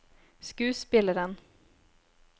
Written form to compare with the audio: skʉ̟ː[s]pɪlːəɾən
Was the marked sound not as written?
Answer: no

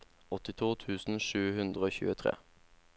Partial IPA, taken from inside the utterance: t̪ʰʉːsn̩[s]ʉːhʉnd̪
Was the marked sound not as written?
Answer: yes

